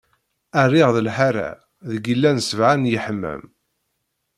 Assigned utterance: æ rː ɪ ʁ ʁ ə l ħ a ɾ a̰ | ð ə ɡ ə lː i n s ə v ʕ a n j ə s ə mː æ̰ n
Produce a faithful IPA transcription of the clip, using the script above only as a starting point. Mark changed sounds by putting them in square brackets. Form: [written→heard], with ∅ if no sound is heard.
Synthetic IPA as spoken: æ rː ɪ ʁ [ʁ→ð] ə l ħ a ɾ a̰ | ð ə ɡ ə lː [i→æ] n s ə v ʕ a n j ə [s→ħ] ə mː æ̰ [n→m]